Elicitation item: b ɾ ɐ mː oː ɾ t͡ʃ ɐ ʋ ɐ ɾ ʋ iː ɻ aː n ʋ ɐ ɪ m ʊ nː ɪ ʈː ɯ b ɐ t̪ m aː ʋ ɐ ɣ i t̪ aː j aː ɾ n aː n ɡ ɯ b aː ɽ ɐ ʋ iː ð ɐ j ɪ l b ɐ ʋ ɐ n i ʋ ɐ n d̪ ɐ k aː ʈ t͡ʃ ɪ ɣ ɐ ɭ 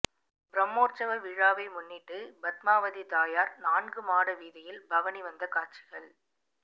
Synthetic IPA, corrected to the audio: b ɾ ɐ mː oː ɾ t͡ʃ ɐ ʋ ɐ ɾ ʋ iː ɻ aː ʋ ɐ ɪ m ʊ nː ɪ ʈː ɯ b ɐ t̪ m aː ʋ ɐ ð i t̪ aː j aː ɾ n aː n ɡ ɯ m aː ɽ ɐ ʋ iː ð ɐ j ɪ l b ɐ ʋ ɐ n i ʋ ɐ n d̪ ɐ k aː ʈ t͡ʃ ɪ ɣ ɐ ɭ